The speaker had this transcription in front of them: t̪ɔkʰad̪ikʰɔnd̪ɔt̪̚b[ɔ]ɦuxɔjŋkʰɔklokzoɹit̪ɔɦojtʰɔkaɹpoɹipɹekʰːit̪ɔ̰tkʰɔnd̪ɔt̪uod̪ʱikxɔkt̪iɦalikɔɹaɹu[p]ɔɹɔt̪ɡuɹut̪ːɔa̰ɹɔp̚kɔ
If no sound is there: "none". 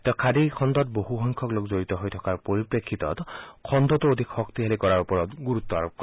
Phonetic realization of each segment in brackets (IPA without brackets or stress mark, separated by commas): o, p